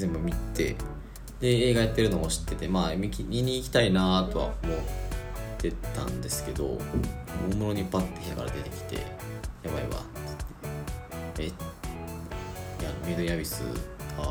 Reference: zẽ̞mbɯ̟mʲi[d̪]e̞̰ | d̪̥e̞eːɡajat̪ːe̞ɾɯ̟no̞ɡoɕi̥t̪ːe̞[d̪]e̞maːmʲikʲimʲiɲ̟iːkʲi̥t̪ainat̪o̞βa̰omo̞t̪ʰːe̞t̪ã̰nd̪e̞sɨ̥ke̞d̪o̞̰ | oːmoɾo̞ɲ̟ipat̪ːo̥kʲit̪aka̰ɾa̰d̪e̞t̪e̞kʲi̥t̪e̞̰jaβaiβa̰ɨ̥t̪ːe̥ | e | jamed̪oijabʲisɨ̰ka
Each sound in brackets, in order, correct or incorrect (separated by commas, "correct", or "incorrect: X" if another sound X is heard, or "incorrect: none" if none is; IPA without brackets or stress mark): incorrect: t̪, incorrect: t̪